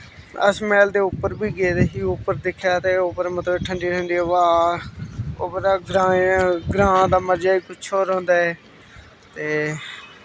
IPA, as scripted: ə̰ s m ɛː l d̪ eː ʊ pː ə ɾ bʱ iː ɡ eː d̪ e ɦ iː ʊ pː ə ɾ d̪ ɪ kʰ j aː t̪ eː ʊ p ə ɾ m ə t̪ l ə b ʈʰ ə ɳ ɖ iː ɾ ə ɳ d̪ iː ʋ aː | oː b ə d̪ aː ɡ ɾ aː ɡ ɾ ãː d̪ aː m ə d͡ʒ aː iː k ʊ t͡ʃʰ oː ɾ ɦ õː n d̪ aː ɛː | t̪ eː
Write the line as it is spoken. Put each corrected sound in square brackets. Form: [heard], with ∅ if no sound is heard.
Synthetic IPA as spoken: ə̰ s m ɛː l d̪ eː ʊ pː ə ɾ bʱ iː ɡ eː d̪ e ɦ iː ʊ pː ə ɾ d̪ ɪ kʰ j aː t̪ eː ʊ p ə ɾ m ə t̪ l ə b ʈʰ ə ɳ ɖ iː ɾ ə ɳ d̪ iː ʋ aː | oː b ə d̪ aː ɡ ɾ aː ɡ ɾ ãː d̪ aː m ə d͡ʒ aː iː k ʊ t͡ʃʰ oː ɾ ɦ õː n d̪ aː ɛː | t̪ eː